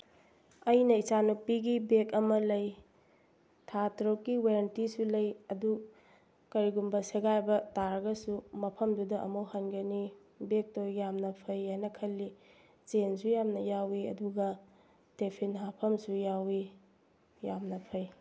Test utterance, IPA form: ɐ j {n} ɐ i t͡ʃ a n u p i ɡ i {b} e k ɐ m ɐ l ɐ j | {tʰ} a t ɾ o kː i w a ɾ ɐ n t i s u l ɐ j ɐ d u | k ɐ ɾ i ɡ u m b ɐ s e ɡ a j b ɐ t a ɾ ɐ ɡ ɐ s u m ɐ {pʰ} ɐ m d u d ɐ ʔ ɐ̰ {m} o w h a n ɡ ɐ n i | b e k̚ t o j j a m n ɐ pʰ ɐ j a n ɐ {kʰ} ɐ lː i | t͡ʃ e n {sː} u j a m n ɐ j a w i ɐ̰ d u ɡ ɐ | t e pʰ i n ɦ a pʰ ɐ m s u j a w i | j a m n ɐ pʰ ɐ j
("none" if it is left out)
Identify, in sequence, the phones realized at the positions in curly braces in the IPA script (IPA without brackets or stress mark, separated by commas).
n, b, tʰ, pʰ, m, kʰ, s